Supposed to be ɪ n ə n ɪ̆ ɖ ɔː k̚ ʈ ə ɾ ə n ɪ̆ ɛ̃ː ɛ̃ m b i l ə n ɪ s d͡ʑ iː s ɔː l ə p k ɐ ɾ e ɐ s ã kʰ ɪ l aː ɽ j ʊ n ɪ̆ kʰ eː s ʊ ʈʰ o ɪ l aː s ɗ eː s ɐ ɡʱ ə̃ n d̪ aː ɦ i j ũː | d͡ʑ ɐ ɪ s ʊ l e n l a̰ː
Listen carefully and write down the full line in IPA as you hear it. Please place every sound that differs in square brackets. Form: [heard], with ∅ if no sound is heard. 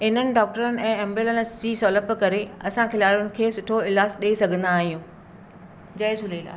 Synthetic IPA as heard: ɪ n ə n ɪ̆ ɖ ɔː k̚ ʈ ə ɾ ə n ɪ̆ ɛ̃ː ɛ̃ m b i l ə n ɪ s d͡ʑ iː s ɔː l ə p k ɐ ɾ e ɐ s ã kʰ ɪ l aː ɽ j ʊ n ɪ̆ kʰ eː s ʊ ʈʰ o ɪ l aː s ɗ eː s ɐ ɡʱ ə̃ n d̪ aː ɦ i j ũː | d͡ʑ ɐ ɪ s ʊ l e [∅] l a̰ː